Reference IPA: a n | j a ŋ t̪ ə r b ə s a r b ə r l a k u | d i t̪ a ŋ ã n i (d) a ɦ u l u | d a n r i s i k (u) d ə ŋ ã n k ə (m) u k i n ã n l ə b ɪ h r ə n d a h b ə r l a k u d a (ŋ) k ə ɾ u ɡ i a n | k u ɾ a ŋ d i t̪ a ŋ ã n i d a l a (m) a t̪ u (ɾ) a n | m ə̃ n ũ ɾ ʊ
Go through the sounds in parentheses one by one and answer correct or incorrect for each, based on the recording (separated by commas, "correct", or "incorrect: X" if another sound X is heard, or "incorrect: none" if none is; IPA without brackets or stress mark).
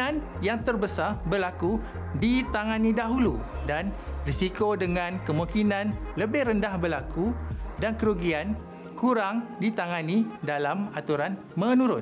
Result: correct, incorrect: o, correct, incorrect: n, correct, correct